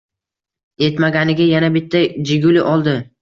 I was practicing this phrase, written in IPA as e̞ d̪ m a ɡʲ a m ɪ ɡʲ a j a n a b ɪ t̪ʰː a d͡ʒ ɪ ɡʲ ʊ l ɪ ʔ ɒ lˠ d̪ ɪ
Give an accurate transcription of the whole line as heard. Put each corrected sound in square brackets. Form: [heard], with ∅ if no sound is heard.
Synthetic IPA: e̞ [t̪] m a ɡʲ a [n] ɪ ɡʲ a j a n a b ɪ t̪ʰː a d͡ʒ ɪ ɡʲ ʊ l ɪ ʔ ɒ lˠ d̪ ɪ